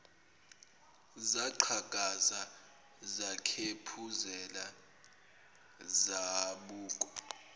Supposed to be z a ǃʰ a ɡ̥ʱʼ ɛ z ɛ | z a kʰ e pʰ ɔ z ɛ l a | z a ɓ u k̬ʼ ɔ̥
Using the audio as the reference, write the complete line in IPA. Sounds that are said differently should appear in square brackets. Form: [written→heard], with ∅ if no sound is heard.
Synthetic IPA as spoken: z a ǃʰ a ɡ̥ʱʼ [ɛ→a] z [ɛ→a] | z a kʰ e pʰ [ɔ→u] z ɛ l a | z a ɓ [u→uː] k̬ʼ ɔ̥